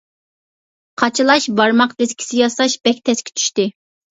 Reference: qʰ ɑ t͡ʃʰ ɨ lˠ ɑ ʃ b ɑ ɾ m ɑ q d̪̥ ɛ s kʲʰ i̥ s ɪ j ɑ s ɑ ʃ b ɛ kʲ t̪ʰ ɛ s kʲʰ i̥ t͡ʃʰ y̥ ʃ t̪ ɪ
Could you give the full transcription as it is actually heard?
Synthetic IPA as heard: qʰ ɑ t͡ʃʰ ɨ lˠ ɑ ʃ b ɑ ɾ m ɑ q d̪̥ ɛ s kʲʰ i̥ s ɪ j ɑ s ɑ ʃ b ɛ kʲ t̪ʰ ɛ s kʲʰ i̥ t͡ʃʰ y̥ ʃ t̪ ɪ